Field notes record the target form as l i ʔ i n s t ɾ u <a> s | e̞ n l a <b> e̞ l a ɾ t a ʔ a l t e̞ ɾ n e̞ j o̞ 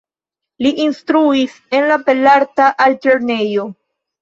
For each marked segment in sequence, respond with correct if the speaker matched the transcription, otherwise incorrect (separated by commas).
incorrect, incorrect